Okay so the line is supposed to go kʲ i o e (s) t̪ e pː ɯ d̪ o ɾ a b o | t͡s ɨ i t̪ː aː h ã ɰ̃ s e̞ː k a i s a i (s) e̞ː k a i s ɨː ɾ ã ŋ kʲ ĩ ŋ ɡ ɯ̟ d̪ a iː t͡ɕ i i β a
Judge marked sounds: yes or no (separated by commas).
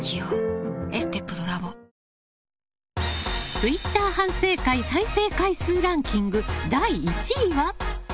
yes, yes